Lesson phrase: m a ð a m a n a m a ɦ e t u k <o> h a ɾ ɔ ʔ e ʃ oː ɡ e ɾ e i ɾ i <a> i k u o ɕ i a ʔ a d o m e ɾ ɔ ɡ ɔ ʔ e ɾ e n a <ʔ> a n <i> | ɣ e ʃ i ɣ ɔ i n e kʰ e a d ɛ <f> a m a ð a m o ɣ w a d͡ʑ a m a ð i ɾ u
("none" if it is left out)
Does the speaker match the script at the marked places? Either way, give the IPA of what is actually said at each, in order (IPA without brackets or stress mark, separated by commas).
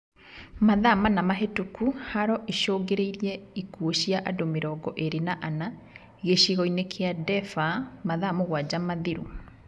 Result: u, ɛ, ʔ, a, f